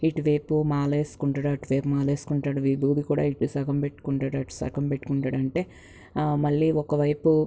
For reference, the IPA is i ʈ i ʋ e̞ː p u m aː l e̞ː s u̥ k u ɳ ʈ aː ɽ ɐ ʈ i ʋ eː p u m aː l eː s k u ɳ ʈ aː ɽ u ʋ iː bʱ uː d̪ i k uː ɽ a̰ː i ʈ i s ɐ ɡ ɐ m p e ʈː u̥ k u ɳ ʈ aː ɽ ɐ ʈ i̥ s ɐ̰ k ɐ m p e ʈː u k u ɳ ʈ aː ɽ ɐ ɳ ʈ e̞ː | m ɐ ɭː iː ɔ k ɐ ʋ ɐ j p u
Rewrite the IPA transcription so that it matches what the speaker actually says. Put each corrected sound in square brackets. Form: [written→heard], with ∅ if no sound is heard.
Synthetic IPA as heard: i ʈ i ʋ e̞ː p u m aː l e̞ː s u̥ k u ɳ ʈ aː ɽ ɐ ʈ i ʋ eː p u m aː l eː s k u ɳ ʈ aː ɽ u ʋ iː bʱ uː d̪ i k uː ɽ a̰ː i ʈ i s ɐ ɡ ɐ m p e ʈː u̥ k u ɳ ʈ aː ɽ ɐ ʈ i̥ s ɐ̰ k ɐ m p e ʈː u k u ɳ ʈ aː ɽ ɐ ɳ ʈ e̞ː | m ɐ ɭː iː ɔ k ɐ ʋ ɐ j p u